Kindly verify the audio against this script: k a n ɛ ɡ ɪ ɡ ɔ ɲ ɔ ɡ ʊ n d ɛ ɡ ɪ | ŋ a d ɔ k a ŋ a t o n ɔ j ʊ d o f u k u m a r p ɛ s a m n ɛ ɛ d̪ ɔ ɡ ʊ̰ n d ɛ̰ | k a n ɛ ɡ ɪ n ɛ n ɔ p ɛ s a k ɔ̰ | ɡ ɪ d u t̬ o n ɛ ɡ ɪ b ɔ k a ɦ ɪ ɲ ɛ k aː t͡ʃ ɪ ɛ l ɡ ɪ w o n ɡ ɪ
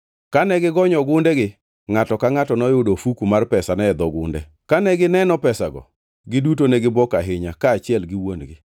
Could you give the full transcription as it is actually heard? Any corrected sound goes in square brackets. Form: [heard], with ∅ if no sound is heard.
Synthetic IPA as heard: k a n ɛ ɡ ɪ ɡ ɔ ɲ ɔ ɡ ʊ n d ɛ ɡ ɪ | ŋ a [t] ɔ k a ŋ a t [ɔ] n ɔ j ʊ d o f u k u m a r p ɛ s a [∅] n ɛ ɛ d̪ ɔ ɡ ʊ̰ n d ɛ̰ | k a n ɛ ɡ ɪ n ɛ n ɔ p ɛ s a [ɡ] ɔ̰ | ɡ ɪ d u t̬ o n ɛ ɡ ɪ b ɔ k a ɦ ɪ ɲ [a] k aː t͡ʃ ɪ ɛ l ɡ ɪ w o n ɡ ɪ

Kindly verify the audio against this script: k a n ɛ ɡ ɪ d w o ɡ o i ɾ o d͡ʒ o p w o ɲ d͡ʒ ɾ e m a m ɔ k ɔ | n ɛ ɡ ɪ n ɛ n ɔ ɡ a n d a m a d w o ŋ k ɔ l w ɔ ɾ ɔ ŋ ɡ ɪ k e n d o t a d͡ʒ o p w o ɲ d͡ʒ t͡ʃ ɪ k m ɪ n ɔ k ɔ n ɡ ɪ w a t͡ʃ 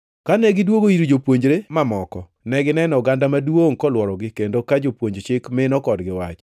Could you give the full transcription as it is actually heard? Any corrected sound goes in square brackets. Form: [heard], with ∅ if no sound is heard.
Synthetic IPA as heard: k a n ɛ ɡ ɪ d w o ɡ o i ɾ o d͡ʒ o p w o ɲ d͡ʒ ɾ e m a m ɔ k ɔ | n ɛ ɡ ɪ n ɛ n ɔ ɡ a n d a m a d w o ŋ k ɔ l w ɔ ɾ ɔ [∅] ɡ ɪ k e n d o [k] a d͡ʒ o p w o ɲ d͡ʒ t͡ʃ ɪ k m ɪ n ɔ k ɔ [d] ɡ ɪ w a t͡ʃ

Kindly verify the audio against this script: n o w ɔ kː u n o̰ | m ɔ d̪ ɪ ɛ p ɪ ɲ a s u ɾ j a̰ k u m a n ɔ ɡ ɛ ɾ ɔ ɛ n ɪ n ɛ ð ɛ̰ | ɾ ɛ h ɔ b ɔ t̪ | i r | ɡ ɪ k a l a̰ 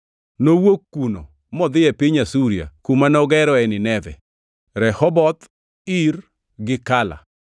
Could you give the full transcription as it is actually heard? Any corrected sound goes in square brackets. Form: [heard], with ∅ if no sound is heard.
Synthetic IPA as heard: n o w [o] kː u n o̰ | m ɔ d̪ ɪ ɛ p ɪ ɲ a s u ɾ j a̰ k u m a n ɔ ɡ ɛ ɾ ɔ ɛ n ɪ n ɛ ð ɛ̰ | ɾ ɛ h ɔ b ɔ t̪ | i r | ɡ ɪ k a l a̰

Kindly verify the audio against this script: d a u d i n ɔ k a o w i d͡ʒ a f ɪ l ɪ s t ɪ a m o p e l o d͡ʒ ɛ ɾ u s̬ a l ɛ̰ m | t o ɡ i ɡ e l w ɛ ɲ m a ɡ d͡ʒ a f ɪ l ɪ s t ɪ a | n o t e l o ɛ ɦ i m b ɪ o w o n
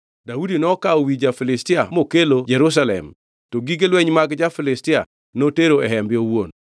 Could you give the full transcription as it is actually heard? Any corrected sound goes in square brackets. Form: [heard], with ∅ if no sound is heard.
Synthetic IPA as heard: d a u d i n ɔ k a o w i d͡ʒ a f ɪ l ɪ s t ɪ a m o [k] e l o d͡ʒ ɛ ɾ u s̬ a l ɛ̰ m | t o ɡ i ɡ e l w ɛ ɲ m a ɡ d͡ʒ a f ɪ l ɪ s t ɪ a | n o t e [ɾ] o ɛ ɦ [ɛ] m b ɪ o w o n

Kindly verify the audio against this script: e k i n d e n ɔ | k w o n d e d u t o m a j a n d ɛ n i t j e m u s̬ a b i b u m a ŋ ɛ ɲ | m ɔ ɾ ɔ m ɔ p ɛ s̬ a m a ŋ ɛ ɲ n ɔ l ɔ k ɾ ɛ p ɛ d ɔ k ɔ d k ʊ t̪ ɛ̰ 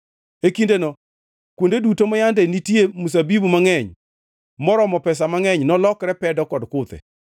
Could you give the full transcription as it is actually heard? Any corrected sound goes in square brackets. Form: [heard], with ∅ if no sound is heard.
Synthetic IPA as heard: e k i n d e n ɔ | k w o n d e d u t o m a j a n d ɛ n i t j e m u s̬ a b i b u m a ŋ ɛ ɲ | m ɔ ɾ ɔ m ɔ p ɛ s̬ a m a ŋ ɛ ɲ n ɔ l ɔ k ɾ ɛ p ɛ d ɔ k ɔ d k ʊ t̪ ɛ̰

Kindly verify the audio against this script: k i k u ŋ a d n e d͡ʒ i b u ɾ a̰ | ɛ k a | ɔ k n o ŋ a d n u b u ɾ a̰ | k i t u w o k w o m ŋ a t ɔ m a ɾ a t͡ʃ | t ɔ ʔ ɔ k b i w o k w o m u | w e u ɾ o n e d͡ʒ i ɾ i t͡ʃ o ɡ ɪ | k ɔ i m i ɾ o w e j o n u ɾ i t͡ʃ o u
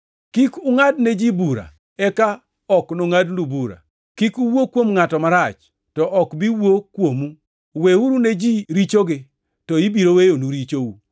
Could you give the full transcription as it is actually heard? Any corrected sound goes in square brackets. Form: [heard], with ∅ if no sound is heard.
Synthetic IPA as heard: k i k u ŋ a d n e d͡ʒ i b u ɾ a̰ | ɛ k a | ɔ k n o ŋ a d n u b u ɾ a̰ | k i [k] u w o k w o m ŋ a t ɔ m a ɾ a t͡ʃ | t ɔ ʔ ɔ k b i w o k w o m u | w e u ɾ [u] n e d͡ʒ i ɾ i t͡ʃ o ɡ ɪ | [t] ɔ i [b] i ɾ o w e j o n u ɾ i t͡ʃ o u

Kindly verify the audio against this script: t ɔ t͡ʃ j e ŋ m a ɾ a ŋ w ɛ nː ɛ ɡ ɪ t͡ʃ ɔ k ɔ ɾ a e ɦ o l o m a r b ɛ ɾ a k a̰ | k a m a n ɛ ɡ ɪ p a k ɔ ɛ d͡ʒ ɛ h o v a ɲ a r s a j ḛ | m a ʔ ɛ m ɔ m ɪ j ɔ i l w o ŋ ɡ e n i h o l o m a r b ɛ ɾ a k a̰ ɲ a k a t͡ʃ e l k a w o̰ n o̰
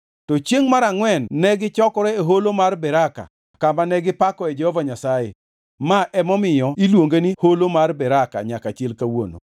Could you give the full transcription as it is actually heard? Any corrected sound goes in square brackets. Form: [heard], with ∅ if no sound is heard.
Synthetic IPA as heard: t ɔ t͡ʃ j e ŋ m a ɾ a ŋ w ɛ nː ɛ ɡ ɪ t͡ʃ ɔ k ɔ ɾ [ɛ] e ɦ o l o m a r b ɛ ɾ a k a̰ | k a m a n ɛ ɡ ɪ p a k ɔ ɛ d͡ʒ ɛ h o v a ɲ a [∅] s a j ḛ | m a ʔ ɛ m ɔ m ɪ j ɔ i l w o ŋ ɡ e n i h o l o m a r b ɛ ɾ a k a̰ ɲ a k a t͡ʃ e l k a w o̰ n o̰

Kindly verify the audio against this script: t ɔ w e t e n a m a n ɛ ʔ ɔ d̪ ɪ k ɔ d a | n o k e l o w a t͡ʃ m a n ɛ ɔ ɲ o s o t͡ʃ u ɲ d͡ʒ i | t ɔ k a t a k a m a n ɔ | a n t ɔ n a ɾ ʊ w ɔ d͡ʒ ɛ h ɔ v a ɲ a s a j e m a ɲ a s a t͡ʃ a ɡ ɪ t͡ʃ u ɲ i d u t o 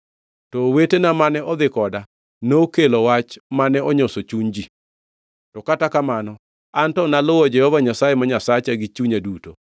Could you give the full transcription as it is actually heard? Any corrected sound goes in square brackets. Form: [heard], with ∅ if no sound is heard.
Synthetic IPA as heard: t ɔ w e t e n a m a n ɛ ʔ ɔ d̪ ɪ k ɔ d a | n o k e l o w a t͡ʃ m a n ɛ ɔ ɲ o s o t͡ʃ u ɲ d͡ʒ i | t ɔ k a t a k a m a n ɔ | a n t ɔ n a [l] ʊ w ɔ d͡ʒ ɛ h ɔ v a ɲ a s a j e m a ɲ a s a t͡ʃ a ɡ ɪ t͡ʃ u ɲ [a] d u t o

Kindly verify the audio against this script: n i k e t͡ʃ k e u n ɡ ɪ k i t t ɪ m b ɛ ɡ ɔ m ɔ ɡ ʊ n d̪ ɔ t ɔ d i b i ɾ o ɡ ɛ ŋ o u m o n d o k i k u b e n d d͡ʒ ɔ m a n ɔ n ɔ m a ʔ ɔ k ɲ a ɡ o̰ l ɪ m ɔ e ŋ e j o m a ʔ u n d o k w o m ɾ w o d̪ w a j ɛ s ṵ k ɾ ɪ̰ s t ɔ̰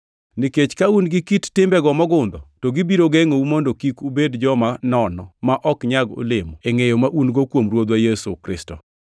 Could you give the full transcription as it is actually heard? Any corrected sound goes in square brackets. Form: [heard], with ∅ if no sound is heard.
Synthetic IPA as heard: n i k e t͡ʃ k [a] u n ɡ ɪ k i t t ɪ m b ɛ ɡ ɔ m ɔ ɡ ʊ n d̪ ɔ t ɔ [ɡ] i b i ɾ o ɡ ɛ ŋ o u m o n d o k i k u b e [∅] d d͡ʒ ɔ m a n ɔ n ɔ m a ʔ ɔ k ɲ a ɡ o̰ l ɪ m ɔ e ŋ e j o m a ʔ u n [ɡ] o k w o m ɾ w o d̪ w a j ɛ s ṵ k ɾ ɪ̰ s t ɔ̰

